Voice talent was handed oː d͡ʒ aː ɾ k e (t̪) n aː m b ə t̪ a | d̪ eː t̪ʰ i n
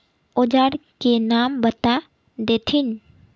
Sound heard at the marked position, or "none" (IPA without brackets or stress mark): none